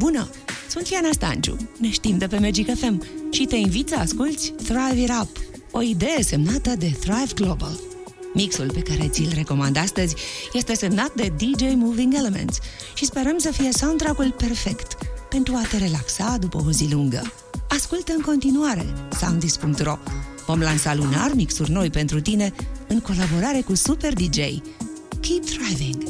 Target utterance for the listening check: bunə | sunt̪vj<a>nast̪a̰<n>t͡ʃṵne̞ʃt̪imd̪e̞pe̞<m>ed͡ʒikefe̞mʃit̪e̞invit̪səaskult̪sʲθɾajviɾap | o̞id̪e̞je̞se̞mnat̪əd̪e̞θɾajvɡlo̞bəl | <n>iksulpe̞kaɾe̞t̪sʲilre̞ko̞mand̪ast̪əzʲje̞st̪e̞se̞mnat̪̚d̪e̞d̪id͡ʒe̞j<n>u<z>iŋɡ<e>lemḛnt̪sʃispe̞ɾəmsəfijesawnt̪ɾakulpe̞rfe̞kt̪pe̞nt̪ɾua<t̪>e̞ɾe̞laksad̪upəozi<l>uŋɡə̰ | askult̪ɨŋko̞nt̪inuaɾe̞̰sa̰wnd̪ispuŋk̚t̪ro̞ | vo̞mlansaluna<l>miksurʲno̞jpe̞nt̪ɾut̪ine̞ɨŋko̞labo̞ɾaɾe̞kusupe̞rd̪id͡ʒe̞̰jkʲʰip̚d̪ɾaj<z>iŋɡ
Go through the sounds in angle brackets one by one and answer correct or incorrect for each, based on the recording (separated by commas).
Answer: correct, correct, correct, incorrect, incorrect, incorrect, correct, correct, correct, incorrect, incorrect